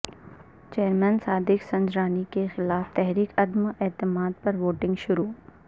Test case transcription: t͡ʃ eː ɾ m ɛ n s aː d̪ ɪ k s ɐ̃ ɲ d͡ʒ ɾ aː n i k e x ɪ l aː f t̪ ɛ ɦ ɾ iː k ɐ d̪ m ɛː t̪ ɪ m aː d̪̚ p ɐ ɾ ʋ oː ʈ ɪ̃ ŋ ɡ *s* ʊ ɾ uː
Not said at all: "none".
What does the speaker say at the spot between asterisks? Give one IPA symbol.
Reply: ʃ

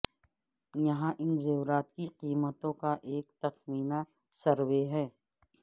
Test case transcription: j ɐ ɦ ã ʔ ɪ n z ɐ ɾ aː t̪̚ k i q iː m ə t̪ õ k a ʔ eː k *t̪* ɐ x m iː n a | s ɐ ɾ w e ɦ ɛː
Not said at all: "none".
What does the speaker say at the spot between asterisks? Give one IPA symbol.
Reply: t̪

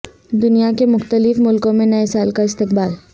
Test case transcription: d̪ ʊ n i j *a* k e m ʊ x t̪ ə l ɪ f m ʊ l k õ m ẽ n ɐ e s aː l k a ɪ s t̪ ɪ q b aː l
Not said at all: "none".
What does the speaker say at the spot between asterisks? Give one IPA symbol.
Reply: a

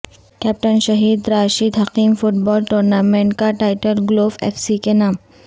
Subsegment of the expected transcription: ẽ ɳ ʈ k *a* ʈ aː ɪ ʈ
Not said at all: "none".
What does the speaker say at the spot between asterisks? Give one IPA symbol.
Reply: a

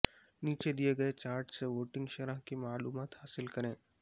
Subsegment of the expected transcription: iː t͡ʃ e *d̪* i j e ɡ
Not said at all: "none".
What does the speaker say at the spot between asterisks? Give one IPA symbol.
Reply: d̪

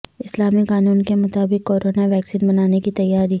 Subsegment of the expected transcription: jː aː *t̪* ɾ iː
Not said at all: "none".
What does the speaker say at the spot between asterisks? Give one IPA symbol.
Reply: none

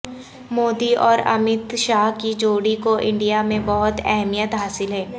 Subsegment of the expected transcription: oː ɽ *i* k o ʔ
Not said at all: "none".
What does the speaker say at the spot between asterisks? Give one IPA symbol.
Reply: i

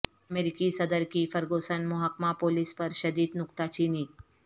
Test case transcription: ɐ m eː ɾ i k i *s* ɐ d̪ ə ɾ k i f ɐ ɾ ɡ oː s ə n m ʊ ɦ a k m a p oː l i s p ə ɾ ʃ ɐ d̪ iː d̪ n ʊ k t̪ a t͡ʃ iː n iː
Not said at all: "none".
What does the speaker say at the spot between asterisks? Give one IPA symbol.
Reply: s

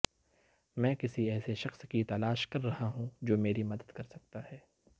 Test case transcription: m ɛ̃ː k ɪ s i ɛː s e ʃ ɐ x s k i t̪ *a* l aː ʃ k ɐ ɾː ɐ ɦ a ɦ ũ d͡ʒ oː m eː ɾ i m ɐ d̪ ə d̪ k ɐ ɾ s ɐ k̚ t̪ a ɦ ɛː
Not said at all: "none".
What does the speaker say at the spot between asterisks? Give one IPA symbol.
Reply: ɐ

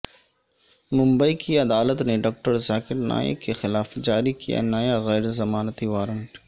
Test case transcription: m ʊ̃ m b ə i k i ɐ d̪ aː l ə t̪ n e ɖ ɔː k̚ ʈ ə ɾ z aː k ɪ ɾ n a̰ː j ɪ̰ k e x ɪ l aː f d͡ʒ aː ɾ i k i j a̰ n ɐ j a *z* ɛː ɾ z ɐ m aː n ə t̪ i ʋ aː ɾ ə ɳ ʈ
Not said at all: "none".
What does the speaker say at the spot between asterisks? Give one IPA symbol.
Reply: ɣ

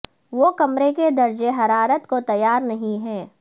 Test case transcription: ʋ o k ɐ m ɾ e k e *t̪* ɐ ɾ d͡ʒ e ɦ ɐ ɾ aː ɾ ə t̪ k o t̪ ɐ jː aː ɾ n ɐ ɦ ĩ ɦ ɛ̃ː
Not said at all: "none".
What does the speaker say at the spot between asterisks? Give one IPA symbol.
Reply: d̪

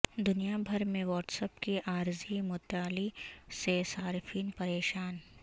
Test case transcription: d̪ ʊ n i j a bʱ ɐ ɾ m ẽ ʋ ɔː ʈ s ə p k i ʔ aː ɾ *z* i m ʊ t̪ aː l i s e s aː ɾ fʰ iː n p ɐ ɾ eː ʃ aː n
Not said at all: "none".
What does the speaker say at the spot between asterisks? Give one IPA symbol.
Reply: z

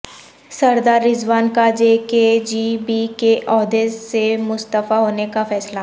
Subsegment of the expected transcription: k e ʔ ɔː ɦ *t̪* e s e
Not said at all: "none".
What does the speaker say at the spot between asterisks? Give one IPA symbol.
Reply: d̪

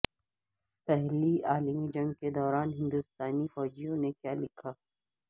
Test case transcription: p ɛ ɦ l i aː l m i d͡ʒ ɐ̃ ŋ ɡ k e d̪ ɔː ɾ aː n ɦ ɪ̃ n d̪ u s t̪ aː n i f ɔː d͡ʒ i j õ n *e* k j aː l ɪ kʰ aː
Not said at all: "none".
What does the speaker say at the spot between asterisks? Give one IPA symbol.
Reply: e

